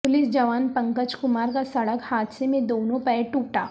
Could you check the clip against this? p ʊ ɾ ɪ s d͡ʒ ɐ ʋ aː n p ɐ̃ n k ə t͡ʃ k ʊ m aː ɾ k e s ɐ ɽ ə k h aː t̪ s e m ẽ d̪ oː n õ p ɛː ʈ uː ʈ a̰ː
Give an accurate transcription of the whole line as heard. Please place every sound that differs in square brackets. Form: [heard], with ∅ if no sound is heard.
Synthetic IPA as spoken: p ʊ [l] ɪ s d͡ʒ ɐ ʋ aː n p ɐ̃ [ŋ] k ə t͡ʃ k ʊ m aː ɾ k [a] s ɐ ɽ ə k h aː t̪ s e m ẽ d̪ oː n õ p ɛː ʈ uː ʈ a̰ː